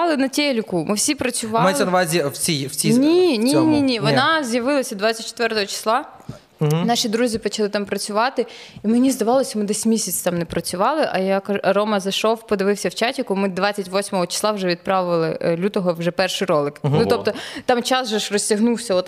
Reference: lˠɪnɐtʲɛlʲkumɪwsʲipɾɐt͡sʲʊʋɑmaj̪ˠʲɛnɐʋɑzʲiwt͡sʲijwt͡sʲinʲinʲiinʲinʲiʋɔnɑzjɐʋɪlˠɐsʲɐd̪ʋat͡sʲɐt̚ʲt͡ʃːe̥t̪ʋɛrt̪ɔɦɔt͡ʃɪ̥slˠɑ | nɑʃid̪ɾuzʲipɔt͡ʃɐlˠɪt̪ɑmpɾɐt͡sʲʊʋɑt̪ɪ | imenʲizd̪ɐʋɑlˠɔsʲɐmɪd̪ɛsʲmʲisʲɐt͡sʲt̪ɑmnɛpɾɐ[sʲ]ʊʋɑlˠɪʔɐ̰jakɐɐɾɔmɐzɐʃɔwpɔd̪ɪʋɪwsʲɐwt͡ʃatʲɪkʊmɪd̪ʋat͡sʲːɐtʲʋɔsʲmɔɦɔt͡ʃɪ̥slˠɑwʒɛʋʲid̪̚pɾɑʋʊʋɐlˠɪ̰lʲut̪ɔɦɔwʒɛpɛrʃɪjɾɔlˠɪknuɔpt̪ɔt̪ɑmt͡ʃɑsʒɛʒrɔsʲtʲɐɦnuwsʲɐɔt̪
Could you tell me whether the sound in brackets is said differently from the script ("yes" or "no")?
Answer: yes